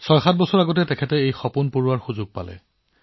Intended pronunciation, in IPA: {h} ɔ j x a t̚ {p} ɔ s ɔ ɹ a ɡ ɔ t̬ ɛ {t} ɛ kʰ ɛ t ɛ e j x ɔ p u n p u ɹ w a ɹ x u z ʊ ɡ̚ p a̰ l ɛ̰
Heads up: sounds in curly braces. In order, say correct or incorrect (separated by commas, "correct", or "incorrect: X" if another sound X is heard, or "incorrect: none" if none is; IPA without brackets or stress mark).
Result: incorrect: s, incorrect: b, correct